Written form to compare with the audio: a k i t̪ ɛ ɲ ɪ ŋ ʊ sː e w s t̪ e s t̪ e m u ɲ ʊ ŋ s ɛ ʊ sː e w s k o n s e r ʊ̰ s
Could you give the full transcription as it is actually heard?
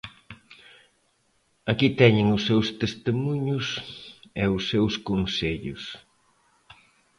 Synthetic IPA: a k i t̪ ɛ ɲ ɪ ŋ ʊ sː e w s t̪ e s t̪ e m u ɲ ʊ s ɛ ʊ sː e w s k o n s e ʎ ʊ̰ s